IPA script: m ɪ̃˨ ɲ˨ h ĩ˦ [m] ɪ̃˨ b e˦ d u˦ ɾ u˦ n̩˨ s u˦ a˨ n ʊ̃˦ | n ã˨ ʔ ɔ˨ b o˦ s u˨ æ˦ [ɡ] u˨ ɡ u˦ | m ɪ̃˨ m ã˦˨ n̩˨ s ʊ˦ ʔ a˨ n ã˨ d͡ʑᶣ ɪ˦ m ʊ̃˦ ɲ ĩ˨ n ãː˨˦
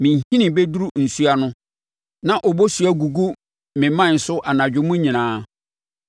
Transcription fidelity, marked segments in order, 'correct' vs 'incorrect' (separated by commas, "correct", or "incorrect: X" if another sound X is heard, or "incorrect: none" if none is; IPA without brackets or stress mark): incorrect: n, correct